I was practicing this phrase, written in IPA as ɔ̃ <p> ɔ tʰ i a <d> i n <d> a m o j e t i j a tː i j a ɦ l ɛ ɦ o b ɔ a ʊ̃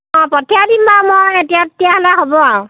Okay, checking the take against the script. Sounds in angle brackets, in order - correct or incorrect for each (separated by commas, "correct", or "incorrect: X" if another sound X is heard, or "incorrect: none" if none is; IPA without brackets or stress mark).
correct, correct, incorrect: b